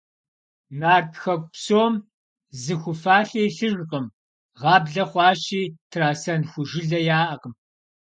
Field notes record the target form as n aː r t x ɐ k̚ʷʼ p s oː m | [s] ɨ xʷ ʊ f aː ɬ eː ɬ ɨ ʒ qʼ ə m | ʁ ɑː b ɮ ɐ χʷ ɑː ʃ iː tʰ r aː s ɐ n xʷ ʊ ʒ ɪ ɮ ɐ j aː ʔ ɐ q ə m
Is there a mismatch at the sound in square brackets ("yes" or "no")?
yes